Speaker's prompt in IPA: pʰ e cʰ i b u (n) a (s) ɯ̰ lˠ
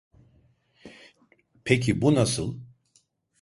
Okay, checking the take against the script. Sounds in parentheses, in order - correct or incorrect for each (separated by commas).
correct, correct